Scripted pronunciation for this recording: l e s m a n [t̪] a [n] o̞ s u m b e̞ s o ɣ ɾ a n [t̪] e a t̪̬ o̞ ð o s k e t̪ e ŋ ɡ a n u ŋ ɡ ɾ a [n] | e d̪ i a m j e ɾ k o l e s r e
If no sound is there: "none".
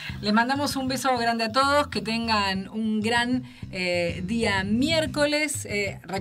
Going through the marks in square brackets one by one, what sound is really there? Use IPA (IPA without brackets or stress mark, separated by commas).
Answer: d̪, m, d̪, n